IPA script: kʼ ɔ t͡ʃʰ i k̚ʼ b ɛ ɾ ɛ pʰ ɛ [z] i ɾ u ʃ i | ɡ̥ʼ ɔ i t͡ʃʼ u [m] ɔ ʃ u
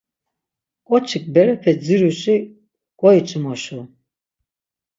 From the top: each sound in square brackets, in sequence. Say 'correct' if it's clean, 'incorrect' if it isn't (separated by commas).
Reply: incorrect, correct